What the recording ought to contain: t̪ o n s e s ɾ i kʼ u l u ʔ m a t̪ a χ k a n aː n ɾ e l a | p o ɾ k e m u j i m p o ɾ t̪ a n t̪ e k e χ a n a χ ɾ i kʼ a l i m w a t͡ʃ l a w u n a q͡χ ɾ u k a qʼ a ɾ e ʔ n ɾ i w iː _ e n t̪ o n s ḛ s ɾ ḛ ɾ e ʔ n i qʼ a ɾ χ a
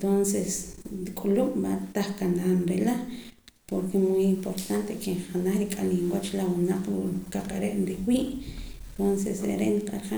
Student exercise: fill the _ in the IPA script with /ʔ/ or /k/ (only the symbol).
ʔ